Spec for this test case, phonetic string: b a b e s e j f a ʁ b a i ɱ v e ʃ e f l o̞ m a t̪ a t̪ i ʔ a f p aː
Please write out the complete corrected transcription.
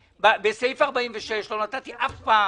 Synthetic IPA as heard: b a b e s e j f a ʁ b a i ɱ v e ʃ e ʃ l o̞ n a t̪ a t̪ i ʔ a f p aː